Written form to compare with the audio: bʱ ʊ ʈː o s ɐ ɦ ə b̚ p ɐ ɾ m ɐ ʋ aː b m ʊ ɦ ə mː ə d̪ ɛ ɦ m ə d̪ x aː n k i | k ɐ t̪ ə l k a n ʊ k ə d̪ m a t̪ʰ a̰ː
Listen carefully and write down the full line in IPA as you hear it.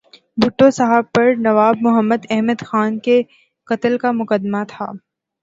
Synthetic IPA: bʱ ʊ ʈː o s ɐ ɦ ə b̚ p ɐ ɾ n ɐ ʋ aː b m ʊ ɦ ə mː ə d̪ ɛ ɦ m ə d̪ x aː n k e | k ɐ t̪ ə l k a m ʊ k ə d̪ m a t̪ʰ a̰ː

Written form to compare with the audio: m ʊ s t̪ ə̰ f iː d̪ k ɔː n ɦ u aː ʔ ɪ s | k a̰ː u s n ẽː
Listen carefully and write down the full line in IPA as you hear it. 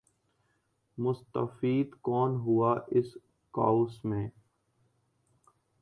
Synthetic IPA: m ʊ s t̪ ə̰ f iː d̪ k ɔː n ɦ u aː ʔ ɪ s | k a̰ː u s m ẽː

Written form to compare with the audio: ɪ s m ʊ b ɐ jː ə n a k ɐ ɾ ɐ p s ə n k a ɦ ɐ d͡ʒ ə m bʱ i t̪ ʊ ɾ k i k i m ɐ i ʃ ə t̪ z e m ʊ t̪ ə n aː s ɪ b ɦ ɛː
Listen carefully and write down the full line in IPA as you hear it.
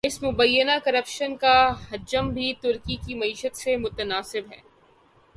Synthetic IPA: ɪ s m ʊ b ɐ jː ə n a k ɐ ɾ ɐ p ʃ ə n k a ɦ ɐ d͡ʒ ə m bʱ i t̪ ʊ ɾ k i k i m ɐ iː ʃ ə t̪ s e m ʊ t̪ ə n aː s ɪ b ɦ ɛː

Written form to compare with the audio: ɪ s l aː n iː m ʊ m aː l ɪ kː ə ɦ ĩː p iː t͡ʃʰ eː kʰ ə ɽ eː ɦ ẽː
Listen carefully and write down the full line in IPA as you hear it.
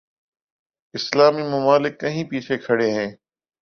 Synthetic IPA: ɪ s l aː m iː m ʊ m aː l ɪ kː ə ɦ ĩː p iː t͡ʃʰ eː kʰ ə ɽ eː ɦ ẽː

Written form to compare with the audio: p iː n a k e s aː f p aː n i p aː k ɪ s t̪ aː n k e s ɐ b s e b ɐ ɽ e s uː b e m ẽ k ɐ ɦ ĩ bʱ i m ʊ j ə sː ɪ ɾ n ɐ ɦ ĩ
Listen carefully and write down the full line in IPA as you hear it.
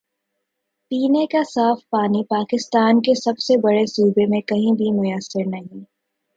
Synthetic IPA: p iː n e k a s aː f p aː n i p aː k ɪ s t̪ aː n k e s ɐ b s e b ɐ ɽ e s uː b e m ẽ k ɐ ɦ ĩ bʱ i m ʊ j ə sː ɪ ɾ n ɐ ɦ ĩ

